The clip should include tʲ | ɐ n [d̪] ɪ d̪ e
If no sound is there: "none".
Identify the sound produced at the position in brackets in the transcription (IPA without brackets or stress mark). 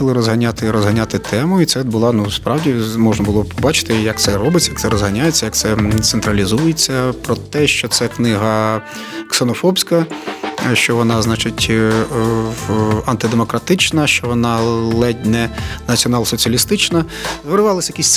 t̪